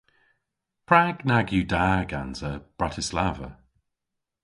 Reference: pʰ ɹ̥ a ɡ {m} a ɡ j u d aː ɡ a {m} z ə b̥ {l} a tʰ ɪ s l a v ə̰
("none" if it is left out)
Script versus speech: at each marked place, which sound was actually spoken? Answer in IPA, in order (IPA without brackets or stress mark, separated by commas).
n, n, ɹ